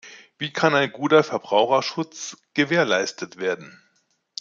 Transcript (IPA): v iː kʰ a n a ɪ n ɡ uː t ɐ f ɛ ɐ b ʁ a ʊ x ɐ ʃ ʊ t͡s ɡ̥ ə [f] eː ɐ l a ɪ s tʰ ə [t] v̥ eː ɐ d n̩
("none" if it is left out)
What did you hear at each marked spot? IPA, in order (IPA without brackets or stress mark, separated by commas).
v, t